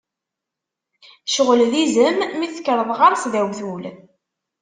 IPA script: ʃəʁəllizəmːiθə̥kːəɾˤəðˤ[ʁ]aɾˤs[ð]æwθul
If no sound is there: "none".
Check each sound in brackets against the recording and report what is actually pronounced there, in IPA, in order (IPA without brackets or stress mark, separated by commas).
ʁ, ð